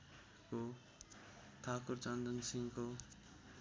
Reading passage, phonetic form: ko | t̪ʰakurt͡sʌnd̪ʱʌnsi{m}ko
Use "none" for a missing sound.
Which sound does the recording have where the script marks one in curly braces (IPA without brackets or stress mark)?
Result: ŋ